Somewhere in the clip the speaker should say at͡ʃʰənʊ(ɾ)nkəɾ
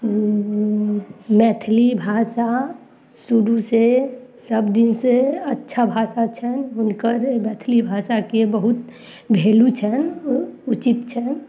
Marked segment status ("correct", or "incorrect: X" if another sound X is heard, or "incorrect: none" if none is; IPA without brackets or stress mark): incorrect: none